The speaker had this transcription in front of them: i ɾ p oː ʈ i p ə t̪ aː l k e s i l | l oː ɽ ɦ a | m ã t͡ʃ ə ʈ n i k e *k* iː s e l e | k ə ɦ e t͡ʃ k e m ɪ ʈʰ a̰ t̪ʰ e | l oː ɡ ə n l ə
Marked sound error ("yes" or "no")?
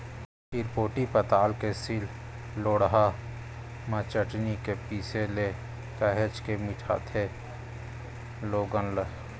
yes